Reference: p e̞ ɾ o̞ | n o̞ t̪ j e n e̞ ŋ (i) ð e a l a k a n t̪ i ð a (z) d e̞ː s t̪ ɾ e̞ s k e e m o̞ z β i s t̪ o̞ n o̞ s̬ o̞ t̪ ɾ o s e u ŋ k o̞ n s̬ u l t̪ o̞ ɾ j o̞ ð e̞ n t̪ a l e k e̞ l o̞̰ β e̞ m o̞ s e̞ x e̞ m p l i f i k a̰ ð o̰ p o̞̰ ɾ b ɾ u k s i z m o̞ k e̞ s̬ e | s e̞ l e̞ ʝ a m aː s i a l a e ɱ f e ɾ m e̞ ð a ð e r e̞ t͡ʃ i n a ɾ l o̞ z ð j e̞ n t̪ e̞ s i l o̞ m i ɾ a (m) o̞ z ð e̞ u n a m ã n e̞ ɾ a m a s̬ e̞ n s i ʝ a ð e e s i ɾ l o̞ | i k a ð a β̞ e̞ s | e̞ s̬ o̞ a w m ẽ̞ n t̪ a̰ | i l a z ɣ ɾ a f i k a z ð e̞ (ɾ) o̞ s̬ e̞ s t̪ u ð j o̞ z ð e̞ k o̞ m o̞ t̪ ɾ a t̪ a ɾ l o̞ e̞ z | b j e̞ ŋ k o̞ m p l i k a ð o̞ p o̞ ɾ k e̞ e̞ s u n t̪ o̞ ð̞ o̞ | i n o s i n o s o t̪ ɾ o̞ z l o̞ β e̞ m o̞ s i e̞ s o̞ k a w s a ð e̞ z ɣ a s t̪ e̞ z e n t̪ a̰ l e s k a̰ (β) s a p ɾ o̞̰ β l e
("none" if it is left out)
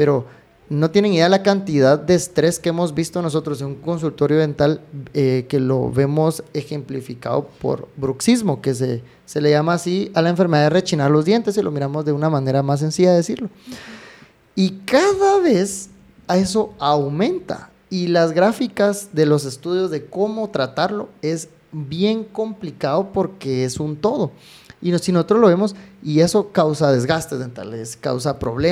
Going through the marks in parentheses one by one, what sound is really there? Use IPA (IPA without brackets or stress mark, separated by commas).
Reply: i, ð, m, l, w